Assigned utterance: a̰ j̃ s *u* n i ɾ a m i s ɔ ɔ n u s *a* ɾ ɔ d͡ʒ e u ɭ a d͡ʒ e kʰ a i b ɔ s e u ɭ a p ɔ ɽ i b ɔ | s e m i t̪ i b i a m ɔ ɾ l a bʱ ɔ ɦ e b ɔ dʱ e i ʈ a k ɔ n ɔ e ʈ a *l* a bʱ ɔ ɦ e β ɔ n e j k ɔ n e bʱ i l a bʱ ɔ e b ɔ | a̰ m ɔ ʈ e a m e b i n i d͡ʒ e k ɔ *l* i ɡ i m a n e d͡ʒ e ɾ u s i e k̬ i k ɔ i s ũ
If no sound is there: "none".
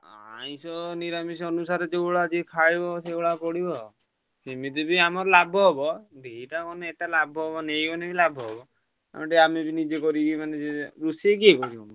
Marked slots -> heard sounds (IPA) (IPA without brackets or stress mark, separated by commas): ɔ, a, l, ɾ